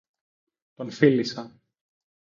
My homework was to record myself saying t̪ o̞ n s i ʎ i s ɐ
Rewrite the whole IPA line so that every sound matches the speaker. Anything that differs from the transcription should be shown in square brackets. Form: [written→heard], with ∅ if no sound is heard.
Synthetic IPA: t̪ o̞ n [s→f] i [ʎ→l] i s ɐ